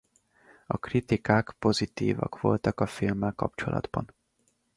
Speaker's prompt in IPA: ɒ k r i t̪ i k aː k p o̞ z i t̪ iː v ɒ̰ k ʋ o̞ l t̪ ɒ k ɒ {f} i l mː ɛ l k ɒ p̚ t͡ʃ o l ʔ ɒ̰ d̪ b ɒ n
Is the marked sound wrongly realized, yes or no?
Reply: no